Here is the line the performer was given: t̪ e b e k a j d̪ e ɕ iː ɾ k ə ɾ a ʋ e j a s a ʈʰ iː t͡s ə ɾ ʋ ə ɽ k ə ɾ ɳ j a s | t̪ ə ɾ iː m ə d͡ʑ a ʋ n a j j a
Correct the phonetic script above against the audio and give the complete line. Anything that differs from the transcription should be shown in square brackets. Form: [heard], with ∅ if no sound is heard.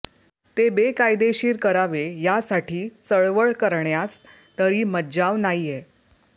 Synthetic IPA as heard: t̪ e b e k a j d̪ e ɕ iː ɾ k ə ɾ a ʋ e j a s a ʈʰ iː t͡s ə [ɭ] ʋ ə [ɭ] k ə ɾ ɳ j a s | t̪ ə ɾ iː m ə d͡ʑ a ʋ n a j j [e]